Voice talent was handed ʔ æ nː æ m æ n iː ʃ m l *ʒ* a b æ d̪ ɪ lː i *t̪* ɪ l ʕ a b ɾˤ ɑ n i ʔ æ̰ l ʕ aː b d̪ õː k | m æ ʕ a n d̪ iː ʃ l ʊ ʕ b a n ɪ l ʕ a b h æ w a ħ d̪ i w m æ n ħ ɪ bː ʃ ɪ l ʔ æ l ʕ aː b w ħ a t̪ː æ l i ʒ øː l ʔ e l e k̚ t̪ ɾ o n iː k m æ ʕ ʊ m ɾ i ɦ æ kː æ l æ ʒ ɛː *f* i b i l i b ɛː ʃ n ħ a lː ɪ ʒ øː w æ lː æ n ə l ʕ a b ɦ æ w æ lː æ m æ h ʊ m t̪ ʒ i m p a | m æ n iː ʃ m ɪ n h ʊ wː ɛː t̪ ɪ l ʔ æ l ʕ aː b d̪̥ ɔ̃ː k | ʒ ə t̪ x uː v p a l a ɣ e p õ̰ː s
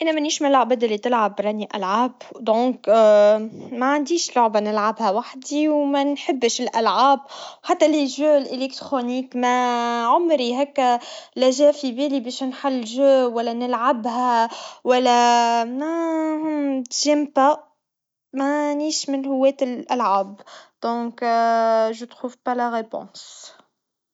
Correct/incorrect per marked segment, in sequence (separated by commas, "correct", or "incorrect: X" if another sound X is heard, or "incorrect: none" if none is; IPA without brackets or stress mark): incorrect: ʕ, correct, correct